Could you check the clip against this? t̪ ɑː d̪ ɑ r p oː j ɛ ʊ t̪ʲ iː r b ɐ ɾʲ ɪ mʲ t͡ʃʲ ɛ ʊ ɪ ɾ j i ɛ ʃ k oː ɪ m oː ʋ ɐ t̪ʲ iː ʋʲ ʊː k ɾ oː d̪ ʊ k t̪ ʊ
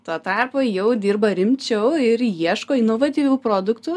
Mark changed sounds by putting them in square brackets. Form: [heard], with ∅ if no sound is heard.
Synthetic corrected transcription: t̪ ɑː [t̪] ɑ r p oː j ɛ ʊ [d̪ʲ] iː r b ɐ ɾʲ ɪ mʲ t͡ʃʲ ɛ ʊ ɪ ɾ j i ɛ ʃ k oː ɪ [n] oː ʋ ɐ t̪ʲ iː ʋʲ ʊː [p] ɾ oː d̪ ʊ k t̪ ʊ

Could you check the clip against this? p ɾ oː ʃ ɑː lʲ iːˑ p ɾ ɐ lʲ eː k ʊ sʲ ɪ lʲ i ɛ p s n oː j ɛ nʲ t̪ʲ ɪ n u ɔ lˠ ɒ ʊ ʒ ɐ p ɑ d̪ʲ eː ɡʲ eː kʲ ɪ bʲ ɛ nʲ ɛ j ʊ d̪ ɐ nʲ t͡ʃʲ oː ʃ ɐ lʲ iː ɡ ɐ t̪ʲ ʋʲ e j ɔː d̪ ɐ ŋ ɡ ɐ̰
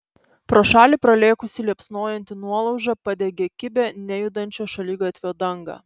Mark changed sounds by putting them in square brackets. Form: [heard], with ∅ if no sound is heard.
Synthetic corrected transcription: p ɾ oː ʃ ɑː lʲ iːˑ p ɾ ɐ lʲ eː k ʊ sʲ ɪ lʲ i ɛ p s n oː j ɛ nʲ t̪ʲ ɪ n u ɔ lˠ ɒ ʊ ʒ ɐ p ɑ d̪ʲ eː ɡʲ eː kʲ ɪ bʲ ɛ nʲ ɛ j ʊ d̪ ɐ nʲ t͡ʃʲ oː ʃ ɐ lʲ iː ɡ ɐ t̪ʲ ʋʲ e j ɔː d̪ ɐ ŋ ɡ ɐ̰

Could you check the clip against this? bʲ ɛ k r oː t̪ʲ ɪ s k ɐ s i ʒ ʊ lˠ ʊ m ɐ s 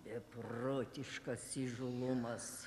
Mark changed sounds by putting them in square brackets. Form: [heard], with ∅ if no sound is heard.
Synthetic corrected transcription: bʲ ɛ [p] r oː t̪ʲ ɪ [ʃ] k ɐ s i ʒ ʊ lˠ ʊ m ɐ s

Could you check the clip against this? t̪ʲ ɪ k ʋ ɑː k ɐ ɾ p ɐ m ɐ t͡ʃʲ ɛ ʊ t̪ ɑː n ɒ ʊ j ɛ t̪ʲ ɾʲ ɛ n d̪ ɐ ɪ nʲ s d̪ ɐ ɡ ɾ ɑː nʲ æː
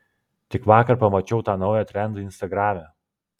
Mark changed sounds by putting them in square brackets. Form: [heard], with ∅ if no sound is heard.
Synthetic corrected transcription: t̪ʲ ɪ k ʋ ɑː k ɐ ɾ p ɐ m ɐ t͡ʃʲ ɛ ʊ t̪ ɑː n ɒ ʊ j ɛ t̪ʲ ɾʲ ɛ n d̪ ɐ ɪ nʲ s [t̪] ɐ ɡ ɾ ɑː [mʲ] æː

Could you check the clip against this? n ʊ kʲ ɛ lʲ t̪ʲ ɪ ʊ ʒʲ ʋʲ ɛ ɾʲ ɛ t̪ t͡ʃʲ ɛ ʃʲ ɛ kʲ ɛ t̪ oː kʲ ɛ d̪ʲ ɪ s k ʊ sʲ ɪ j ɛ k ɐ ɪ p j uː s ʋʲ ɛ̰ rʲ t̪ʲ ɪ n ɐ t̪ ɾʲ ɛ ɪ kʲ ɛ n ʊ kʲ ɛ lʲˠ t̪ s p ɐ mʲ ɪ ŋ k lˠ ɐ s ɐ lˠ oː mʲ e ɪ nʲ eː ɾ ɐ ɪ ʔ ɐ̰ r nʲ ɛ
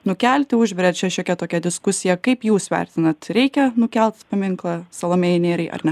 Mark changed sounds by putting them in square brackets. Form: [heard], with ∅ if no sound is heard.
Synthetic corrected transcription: n ʊ kʲ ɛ lʲ t̪ʲ ɪ ʊ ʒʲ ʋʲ ɛ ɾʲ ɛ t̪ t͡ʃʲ ɛ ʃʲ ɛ kʲ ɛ t̪ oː kʲ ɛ d̪ʲ ɪ s k ʊ sʲ ɪ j ɛ k ɐ ɪ p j uː s ʋʲ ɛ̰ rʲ t̪ʲ ɪ n ɐ t̪ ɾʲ ɛ ɪ kʲ ɛ n ʊ kʲ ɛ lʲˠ t̪ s p ɐ mʲ ɪ ŋ k lˠ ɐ s ɐ lˠ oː mʲ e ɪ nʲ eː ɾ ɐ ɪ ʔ ɐ̰ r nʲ ɛ

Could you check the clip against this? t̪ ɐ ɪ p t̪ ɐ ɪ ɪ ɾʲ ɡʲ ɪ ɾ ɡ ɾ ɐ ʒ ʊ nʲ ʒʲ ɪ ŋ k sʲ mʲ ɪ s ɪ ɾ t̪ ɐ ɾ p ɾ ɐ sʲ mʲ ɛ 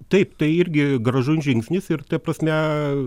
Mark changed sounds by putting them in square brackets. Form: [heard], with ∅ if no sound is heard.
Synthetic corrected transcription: t̪ ɐ ɪ p t̪ ɐ ɪ ɪ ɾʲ ɡʲ ɪ [∅] ɡ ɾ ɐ ʒ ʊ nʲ ʒʲ ɪ ŋ k sʲ [nʲ] ɪ s ɪ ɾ t̪ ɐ [∅] p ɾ ɐ sʲ mʲ ɛ

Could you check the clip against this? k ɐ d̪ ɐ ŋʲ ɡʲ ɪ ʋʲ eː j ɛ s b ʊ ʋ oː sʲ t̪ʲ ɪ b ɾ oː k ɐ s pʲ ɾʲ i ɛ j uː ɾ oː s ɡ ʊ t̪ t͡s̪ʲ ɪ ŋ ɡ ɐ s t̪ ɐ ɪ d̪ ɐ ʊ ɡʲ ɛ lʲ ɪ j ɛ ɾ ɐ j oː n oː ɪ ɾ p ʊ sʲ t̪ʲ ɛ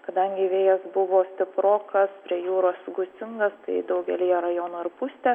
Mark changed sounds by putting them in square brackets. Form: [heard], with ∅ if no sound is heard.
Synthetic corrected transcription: k ɐ d̪ ɐ ŋʲ ɡʲ ɪ ʋʲ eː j ɛ s b ʊ ʋ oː sʲ t̪ʲ ɪ [p] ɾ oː k ɐ s pʲ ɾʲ i ɛ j uː ɾ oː s ɡ ʊ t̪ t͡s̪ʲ ɪ ŋ ɡ ɐ s t̪ ɐ ɪ d̪ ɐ ʊ ɡʲ ɛ lʲ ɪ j ɛ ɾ ɐ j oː n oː ɪ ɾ p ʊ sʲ t̪ʲ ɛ

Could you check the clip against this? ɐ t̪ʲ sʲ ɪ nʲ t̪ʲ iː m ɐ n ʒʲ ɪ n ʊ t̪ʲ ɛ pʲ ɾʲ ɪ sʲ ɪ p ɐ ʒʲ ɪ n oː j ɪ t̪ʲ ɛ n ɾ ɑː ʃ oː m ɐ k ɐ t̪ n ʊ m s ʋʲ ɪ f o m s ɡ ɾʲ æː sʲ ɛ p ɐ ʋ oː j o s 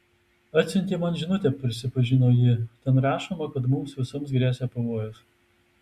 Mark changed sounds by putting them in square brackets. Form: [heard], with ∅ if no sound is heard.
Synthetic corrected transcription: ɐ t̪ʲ sʲ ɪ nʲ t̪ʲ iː m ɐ n ʒʲ ɪ n ʊ t̪ʲ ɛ pʲ ɾʲ ɪ sʲ ɪ p ɐ ʒʲ ɪ n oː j ɪ t̪ʲ ɛ n ɾ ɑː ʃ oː m ɐ k ɐ t̪ [m] ʊ m s ʋʲ ɪ [s] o m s ɡ ɾʲ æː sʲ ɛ p ɐ ʋ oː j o s

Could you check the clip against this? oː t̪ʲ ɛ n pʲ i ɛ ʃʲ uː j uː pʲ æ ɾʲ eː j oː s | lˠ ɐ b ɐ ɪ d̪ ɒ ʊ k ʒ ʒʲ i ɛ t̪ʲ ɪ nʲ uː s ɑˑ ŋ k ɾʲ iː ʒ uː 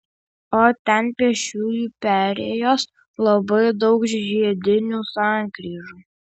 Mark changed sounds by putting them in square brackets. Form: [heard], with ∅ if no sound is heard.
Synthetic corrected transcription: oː t̪ʲ ɛ n pʲ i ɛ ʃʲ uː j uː pʲ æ ɾʲ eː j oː s | lˠ ɐ b ɐ ɪ d̪ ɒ ʊ k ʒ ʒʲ i ɛ [d̪ʲ] ɪ nʲ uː s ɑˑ ŋ k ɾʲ iː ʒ uː

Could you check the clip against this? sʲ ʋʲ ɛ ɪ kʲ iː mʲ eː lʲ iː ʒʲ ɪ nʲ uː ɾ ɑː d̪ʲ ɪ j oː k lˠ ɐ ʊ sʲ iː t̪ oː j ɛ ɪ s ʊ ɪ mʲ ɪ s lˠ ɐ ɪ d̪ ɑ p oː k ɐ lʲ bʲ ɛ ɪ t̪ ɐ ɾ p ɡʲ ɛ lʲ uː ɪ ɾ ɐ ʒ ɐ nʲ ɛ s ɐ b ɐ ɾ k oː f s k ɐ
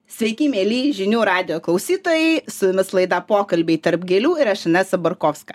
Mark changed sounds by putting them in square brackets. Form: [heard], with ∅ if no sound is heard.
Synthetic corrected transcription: sʲ ʋʲ ɛ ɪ kʲ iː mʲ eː lʲ iː ʒʲ ɪ nʲ uː ɾ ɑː d̪ʲ ɪ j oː k lˠ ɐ ʊ sʲ iː t̪ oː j ɛ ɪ s ʊ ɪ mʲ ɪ s lˠ ɐ ɪ d̪ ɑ p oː k ɐ lʲ bʲ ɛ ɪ t̪ ɐ ɾ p ɡʲ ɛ lʲ uː ɪ ɾ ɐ [ʃ] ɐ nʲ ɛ s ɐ b ɐ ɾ k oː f s k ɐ

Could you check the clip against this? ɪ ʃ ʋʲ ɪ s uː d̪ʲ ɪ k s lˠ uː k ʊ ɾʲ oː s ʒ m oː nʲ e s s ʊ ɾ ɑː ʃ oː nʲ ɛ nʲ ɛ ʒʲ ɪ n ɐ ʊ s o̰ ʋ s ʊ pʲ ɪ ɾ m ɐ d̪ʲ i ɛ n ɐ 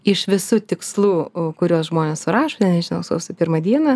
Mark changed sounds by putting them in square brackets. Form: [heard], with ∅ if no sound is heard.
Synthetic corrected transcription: ɪ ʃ ʋʲ ɪ s uː [t̪ʲ] ɪ k s lˠ uː k ʊ ɾʲ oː s ʒ m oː nʲ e s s ʊ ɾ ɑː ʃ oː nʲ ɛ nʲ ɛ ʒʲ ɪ n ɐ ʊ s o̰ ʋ s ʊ pʲ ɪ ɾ m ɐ d̪ʲ i ɛ n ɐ

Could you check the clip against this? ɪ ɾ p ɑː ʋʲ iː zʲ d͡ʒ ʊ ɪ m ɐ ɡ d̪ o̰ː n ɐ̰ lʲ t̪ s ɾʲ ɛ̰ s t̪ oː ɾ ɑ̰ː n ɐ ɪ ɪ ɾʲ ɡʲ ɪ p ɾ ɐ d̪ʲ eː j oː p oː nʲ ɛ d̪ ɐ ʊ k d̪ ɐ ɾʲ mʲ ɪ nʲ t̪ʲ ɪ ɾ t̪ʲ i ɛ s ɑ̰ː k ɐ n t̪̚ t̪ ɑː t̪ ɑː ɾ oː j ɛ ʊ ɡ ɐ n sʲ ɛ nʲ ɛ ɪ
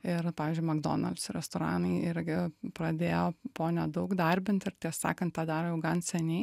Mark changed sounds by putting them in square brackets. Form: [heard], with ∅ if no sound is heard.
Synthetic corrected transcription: ɪ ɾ p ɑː ʋʲ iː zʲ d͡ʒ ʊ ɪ m ɐ ɡ d̪ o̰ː n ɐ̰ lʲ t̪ s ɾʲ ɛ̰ s t̪ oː ɾ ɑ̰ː n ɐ ɪ ɪ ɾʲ ɡʲ ɪ p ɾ ɐ d̪ʲ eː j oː p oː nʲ ɛ d̪ ɐ ʊ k d̪ ɐ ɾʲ [bʲ] ɪ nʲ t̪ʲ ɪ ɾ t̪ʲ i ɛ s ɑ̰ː k ɐ n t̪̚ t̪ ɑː [d̪] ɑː ɾ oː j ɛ ʊ ɡ ɐ n sʲ ɛ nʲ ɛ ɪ

